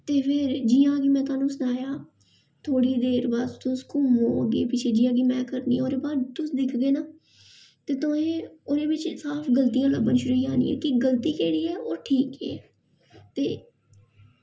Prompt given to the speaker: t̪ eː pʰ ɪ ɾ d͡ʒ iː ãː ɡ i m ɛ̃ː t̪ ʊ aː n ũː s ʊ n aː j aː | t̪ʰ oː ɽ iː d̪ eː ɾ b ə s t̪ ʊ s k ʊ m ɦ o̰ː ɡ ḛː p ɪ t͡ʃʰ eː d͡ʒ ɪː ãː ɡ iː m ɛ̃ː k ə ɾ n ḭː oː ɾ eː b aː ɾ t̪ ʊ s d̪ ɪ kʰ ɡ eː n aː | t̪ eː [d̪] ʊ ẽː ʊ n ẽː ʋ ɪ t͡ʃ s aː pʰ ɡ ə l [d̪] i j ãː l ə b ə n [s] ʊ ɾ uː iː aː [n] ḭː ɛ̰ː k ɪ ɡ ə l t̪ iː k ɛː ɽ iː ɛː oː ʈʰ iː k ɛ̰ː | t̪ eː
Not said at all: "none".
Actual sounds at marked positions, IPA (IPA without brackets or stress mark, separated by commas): t̪, t̪, ʃ, n